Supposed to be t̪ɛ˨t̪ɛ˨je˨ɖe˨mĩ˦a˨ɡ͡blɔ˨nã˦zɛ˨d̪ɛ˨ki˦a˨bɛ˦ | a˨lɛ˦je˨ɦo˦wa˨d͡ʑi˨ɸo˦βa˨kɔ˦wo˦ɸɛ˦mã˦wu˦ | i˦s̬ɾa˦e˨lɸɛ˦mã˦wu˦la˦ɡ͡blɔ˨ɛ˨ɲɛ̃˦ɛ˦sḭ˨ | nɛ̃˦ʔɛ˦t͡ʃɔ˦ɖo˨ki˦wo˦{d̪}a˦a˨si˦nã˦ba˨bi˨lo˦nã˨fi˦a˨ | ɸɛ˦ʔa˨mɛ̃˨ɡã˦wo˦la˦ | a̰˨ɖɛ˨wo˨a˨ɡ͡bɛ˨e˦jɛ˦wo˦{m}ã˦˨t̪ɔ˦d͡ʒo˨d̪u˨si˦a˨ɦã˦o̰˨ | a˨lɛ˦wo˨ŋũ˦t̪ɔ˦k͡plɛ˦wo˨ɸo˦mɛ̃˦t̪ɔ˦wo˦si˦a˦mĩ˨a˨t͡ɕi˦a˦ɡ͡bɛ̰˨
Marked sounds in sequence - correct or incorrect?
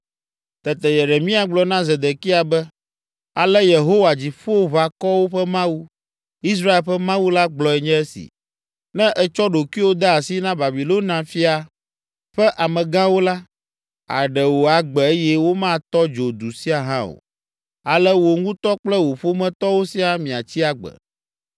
correct, correct

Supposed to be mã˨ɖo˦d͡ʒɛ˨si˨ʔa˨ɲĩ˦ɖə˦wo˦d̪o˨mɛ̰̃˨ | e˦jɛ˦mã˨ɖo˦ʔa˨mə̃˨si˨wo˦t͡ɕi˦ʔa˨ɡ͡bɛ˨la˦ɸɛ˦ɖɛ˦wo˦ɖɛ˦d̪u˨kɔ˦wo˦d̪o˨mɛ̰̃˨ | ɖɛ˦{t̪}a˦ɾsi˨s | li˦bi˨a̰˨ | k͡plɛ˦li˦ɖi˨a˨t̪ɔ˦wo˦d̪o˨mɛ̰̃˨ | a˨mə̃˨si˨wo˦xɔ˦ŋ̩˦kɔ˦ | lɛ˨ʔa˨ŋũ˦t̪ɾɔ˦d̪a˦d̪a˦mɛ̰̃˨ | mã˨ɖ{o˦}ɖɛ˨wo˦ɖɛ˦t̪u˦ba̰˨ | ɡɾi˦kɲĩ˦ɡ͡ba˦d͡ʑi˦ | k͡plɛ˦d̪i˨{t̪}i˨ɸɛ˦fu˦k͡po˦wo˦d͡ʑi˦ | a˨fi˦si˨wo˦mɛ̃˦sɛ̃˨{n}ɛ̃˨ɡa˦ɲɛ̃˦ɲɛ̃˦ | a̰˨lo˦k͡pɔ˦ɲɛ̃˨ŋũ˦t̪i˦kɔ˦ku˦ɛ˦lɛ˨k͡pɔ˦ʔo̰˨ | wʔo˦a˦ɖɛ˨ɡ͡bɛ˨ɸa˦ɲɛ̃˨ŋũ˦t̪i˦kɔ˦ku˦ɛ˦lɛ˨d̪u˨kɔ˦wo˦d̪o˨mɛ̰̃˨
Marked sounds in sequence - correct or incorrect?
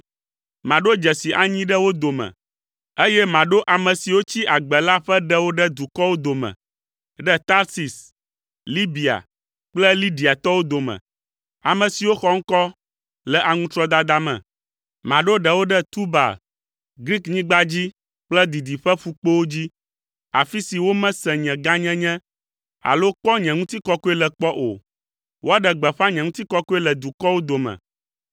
correct, correct, incorrect, incorrect

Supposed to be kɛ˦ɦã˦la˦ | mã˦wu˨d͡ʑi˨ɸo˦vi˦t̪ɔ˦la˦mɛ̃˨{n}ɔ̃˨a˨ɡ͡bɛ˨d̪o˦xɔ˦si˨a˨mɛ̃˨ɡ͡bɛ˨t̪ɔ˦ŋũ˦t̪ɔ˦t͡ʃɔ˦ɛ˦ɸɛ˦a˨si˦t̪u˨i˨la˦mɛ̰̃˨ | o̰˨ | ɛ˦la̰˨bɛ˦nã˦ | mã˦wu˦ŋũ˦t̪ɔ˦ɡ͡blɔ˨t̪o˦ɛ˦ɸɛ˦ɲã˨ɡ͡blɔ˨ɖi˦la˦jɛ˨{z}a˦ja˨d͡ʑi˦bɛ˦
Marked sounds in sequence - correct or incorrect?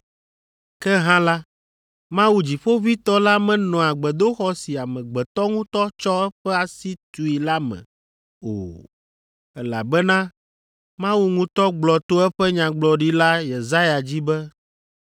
correct, correct

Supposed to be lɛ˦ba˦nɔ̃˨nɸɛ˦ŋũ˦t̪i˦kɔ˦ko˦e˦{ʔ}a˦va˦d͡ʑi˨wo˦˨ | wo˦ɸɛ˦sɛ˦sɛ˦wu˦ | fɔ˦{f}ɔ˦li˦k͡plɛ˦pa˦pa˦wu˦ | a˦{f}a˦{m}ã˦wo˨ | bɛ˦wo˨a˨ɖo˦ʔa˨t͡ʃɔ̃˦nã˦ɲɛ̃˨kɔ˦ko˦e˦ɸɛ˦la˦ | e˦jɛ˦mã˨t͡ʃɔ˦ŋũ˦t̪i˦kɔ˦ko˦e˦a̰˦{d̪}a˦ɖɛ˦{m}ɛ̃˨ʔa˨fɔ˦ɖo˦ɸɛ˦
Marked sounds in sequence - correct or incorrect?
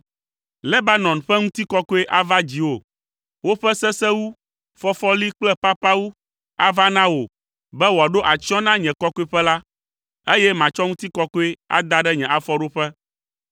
correct, correct, incorrect, incorrect, correct, incorrect

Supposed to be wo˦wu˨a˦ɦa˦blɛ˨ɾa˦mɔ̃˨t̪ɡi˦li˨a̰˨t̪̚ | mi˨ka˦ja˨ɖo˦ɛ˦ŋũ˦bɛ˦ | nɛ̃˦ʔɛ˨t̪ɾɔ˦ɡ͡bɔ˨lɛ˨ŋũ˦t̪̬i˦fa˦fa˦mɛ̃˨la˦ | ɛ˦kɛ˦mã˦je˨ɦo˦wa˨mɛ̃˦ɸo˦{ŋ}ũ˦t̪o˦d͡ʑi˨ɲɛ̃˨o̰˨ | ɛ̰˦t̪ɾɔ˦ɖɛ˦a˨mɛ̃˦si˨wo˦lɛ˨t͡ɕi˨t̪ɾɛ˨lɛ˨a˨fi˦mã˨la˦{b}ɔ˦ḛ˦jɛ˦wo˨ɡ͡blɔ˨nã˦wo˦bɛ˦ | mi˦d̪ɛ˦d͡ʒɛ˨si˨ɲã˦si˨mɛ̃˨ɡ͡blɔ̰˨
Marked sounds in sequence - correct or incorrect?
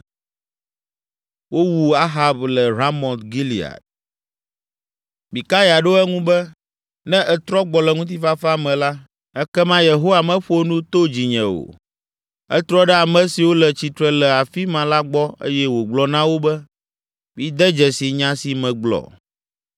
incorrect, incorrect

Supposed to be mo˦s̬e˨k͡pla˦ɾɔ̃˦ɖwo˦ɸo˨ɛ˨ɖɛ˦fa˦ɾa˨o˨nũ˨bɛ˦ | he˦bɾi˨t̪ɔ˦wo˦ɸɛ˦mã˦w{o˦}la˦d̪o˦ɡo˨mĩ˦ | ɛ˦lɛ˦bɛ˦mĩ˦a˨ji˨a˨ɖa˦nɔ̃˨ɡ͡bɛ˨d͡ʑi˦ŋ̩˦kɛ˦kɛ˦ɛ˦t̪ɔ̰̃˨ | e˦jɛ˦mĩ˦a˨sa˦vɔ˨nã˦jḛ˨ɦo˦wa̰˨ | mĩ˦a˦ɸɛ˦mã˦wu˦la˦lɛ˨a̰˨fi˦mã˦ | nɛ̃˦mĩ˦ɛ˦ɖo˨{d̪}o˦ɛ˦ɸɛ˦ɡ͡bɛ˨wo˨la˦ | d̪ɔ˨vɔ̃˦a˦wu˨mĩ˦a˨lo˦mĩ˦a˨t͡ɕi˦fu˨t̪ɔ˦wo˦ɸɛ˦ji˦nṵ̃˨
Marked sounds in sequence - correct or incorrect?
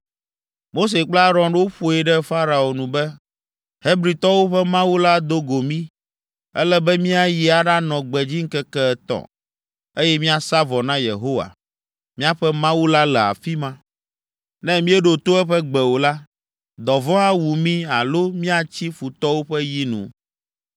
incorrect, incorrect

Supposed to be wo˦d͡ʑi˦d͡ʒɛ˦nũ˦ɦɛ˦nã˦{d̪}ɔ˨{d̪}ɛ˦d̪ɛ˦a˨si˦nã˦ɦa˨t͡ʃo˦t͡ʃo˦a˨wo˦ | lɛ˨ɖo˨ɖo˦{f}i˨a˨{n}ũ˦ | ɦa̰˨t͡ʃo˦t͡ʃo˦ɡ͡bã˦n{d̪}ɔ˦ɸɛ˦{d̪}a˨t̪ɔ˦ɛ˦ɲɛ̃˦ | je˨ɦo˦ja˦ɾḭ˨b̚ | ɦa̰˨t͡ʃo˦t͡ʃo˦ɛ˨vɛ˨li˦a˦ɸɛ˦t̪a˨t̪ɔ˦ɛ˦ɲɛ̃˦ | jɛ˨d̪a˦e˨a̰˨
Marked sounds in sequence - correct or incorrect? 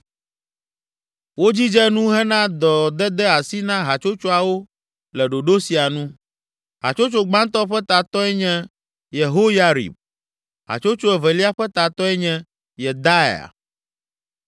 correct, correct, incorrect, correct, incorrect, incorrect

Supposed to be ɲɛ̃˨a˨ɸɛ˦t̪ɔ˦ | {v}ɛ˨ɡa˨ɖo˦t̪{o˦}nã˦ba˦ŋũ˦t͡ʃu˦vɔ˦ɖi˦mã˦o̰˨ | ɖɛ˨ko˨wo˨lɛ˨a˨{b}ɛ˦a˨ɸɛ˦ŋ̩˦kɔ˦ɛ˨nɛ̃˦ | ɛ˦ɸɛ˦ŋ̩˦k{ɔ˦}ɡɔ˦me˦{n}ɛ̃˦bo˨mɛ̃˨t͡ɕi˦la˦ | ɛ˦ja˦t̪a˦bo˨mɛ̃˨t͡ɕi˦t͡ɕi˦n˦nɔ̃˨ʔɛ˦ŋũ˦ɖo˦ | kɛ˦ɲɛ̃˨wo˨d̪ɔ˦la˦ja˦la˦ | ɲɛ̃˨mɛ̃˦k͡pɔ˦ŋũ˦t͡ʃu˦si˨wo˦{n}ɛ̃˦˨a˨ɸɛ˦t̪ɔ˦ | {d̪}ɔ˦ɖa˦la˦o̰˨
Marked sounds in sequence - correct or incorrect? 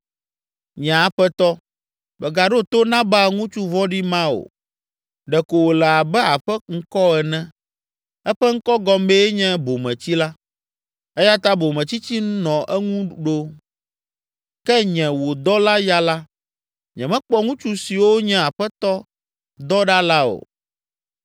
incorrect, correct, correct, correct, incorrect, incorrect, correct

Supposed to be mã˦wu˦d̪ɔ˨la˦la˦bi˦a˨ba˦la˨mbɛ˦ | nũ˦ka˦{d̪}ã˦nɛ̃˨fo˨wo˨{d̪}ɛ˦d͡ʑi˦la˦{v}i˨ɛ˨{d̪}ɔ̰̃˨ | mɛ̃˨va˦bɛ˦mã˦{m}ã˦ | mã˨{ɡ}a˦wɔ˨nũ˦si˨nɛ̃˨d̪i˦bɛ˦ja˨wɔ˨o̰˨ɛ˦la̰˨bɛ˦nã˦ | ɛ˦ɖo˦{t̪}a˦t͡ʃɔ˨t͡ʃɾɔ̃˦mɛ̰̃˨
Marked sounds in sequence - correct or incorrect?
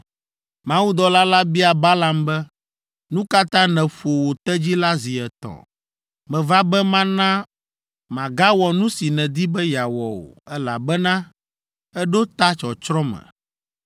incorrect, incorrect, incorrect, incorrect, incorrect, correct, correct

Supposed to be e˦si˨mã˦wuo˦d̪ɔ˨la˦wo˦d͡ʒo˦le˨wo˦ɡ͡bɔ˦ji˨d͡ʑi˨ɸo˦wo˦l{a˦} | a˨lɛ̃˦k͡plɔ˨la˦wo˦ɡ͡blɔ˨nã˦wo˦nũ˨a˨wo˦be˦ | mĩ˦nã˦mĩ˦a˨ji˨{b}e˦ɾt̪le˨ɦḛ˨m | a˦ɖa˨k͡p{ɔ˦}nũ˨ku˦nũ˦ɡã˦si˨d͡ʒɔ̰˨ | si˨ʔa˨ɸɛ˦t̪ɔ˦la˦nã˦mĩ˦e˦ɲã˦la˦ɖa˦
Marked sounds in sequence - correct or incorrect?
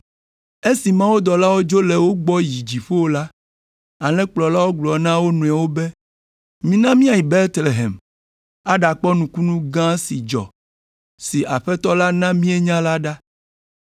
correct, correct, correct

